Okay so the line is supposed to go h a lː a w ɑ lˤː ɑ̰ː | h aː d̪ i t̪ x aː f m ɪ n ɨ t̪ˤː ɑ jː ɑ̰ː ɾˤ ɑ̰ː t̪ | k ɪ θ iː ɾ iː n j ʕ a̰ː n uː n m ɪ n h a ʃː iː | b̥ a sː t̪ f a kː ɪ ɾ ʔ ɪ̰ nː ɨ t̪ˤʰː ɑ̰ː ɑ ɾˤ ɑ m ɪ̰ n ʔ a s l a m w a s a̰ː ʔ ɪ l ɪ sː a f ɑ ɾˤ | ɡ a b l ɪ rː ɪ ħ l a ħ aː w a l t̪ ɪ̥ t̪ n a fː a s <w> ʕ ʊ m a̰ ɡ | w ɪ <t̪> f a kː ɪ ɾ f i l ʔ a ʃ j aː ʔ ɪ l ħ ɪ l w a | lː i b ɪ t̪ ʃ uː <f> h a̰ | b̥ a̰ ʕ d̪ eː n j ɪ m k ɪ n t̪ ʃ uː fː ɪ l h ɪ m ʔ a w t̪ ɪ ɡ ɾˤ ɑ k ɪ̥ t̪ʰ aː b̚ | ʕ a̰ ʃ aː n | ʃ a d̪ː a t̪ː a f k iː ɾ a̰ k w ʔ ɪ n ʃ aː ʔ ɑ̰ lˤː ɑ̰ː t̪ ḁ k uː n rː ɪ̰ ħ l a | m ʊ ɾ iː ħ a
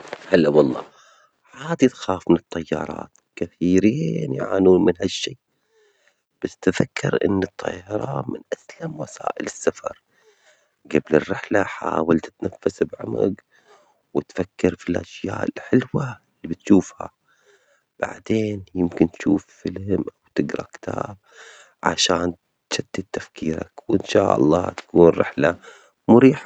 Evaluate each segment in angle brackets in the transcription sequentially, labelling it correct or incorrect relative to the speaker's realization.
incorrect: b, correct, correct

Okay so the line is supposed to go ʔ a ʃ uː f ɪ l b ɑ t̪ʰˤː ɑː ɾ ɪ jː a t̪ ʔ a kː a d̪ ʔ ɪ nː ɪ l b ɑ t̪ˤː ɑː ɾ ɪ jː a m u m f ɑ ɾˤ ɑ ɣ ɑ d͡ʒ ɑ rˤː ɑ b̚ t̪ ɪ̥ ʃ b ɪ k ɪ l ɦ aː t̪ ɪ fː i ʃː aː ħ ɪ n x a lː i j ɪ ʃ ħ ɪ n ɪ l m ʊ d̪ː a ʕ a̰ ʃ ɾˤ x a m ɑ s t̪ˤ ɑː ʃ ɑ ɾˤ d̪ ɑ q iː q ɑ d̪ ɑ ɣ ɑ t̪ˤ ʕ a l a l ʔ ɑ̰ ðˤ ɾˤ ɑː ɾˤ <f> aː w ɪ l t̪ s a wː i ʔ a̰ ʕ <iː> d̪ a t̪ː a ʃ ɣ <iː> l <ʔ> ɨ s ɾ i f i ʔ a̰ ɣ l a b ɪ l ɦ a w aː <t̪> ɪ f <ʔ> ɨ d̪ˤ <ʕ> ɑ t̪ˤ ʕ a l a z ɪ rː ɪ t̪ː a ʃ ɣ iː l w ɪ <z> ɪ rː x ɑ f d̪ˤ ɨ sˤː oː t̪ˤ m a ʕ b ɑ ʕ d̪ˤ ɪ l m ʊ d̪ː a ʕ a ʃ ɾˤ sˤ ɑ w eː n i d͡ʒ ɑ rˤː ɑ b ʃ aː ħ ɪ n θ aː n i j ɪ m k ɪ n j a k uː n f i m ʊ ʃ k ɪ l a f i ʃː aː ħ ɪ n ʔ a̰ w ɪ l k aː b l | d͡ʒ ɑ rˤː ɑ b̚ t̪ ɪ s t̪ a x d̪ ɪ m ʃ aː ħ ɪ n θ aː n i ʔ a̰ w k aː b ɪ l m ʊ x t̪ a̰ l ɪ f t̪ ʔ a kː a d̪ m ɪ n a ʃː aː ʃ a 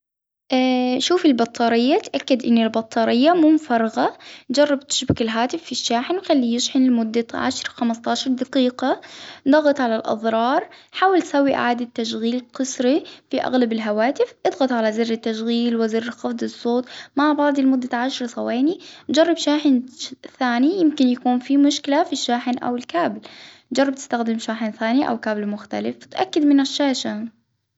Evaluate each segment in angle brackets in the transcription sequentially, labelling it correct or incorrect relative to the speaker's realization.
incorrect: ħ, incorrect: aː, correct, incorrect: q, correct, correct, incorrect: ɣ, correct

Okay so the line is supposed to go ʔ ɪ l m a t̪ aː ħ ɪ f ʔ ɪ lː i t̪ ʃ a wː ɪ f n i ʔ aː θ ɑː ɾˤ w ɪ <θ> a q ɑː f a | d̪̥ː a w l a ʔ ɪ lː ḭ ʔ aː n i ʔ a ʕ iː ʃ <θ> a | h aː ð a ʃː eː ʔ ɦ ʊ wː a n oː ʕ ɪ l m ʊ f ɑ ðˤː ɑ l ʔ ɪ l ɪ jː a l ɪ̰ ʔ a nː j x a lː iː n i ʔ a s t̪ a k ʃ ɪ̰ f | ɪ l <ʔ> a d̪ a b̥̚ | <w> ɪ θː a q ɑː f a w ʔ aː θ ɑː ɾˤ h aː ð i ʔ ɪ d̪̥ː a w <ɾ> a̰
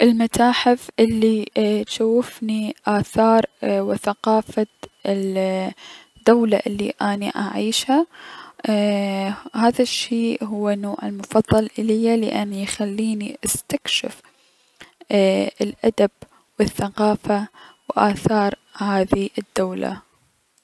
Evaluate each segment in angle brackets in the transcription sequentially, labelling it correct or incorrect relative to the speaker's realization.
correct, incorrect: h, correct, correct, incorrect: l

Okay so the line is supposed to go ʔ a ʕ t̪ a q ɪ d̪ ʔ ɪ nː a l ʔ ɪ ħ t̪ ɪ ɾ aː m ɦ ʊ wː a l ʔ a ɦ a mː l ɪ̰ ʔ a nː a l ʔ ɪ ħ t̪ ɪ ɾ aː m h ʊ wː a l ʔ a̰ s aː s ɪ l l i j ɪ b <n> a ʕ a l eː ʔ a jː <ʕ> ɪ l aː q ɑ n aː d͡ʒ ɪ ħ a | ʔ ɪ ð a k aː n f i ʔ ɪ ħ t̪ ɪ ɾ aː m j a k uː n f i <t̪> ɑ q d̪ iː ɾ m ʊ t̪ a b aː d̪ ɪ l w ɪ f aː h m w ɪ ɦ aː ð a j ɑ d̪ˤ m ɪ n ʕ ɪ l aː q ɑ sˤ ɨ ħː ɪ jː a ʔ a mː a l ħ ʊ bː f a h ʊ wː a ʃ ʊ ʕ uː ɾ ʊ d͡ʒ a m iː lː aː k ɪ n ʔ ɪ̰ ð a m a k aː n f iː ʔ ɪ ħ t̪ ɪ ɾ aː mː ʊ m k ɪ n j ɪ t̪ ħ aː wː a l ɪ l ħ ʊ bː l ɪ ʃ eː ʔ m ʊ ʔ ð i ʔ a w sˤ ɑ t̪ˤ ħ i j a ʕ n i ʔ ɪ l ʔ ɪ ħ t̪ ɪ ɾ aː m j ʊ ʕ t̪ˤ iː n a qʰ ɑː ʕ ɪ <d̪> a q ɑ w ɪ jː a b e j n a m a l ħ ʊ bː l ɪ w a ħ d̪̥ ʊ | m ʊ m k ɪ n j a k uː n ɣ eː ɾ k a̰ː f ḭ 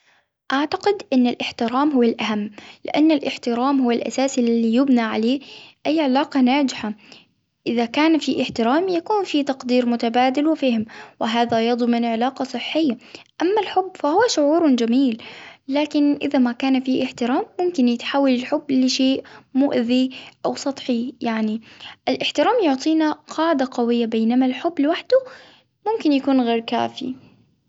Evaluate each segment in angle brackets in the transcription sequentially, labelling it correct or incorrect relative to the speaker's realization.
correct, correct, correct, correct

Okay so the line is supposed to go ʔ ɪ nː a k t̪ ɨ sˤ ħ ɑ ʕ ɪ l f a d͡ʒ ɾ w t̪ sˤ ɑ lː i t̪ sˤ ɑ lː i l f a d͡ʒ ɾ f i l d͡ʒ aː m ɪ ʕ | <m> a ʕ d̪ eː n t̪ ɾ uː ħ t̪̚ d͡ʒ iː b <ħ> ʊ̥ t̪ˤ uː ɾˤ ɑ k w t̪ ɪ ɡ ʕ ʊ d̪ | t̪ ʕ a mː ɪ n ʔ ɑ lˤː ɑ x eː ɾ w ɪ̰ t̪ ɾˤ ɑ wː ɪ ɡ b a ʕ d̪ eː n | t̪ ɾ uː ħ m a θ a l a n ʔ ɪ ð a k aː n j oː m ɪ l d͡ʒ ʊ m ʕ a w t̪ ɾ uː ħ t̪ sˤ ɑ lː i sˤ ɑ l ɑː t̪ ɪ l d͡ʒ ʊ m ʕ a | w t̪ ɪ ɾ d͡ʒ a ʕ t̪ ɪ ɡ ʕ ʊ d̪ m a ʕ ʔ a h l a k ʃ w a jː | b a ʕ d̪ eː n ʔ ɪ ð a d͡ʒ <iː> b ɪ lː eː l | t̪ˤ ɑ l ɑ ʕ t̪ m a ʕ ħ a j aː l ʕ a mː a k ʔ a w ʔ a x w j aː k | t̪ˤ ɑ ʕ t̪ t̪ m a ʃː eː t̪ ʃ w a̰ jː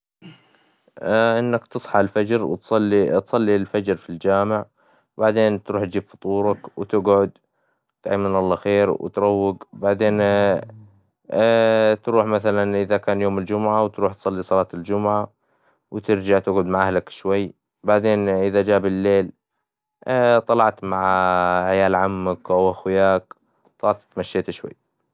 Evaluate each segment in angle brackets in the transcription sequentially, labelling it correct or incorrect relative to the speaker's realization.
incorrect: b, incorrect: f, incorrect: aː

